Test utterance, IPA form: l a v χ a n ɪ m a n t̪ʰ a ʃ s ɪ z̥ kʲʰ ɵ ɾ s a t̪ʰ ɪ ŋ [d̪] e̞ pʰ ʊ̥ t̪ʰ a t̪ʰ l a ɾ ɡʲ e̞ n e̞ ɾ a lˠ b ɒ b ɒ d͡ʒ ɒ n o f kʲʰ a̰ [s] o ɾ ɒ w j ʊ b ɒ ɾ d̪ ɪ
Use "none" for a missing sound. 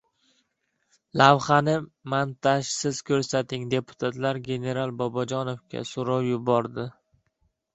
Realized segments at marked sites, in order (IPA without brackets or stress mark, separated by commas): d̪, s